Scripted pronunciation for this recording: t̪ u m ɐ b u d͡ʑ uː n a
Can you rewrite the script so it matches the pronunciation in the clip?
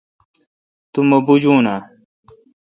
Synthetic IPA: t̪ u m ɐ b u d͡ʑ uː n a